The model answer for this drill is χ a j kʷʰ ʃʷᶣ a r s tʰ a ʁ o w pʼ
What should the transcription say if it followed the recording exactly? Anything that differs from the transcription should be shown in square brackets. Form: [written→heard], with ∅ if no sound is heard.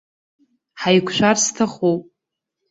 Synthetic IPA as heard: [χ→ħ] a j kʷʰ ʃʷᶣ a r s tʰ a [ʁ→χ] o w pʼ